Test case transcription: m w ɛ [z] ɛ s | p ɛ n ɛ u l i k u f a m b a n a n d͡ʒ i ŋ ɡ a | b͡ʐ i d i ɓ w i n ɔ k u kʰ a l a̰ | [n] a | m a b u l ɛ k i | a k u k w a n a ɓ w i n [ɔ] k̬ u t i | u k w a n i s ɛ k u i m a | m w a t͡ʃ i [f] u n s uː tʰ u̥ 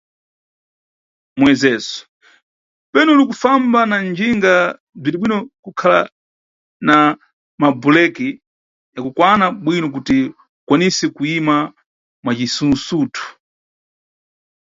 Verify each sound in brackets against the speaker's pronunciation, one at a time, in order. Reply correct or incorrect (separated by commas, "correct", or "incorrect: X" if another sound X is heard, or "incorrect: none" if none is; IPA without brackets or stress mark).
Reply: correct, correct, correct, incorrect: s